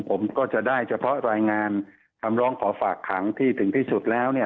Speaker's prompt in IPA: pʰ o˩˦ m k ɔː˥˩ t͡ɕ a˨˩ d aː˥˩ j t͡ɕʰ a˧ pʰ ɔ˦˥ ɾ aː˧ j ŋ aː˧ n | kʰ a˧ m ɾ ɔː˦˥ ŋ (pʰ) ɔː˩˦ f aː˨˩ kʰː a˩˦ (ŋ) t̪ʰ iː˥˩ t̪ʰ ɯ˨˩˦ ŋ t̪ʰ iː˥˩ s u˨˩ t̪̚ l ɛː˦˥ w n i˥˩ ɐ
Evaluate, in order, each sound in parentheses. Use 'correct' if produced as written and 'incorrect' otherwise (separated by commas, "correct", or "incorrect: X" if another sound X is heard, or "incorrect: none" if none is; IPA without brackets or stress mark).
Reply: incorrect: kʰ, correct